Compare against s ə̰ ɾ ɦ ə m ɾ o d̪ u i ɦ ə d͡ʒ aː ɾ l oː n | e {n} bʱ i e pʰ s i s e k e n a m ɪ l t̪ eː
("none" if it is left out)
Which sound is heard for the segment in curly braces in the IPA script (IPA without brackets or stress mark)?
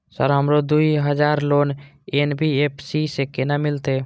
n